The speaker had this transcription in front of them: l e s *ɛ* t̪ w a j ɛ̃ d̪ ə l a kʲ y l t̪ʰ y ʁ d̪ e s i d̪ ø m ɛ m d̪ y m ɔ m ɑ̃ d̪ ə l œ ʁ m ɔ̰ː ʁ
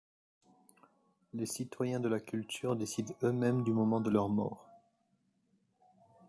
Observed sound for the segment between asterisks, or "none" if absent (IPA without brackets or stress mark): i